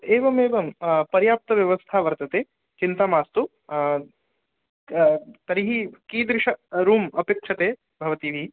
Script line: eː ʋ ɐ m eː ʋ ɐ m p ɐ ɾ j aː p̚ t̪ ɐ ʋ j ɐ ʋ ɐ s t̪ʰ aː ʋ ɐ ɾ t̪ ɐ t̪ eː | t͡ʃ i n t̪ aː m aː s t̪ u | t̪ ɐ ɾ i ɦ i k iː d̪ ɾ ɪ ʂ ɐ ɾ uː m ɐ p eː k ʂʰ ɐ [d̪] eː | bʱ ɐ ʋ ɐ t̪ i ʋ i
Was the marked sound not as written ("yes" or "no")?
yes